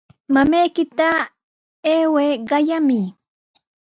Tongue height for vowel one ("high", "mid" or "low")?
low